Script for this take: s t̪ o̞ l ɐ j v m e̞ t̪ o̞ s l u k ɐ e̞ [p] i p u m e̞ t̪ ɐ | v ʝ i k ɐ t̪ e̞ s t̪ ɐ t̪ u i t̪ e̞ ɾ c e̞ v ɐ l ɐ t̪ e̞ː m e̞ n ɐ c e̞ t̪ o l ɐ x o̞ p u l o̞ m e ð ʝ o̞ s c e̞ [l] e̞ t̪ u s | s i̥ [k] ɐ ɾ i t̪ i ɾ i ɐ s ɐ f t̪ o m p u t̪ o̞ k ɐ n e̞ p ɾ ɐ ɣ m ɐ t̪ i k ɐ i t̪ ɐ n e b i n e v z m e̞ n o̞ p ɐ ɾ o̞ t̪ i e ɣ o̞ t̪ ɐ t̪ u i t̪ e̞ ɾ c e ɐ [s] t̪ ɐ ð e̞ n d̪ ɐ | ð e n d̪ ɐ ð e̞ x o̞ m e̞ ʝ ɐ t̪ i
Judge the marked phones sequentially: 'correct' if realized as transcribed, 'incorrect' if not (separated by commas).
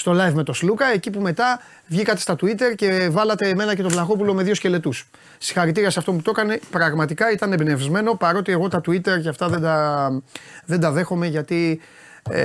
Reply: incorrect, correct, incorrect, incorrect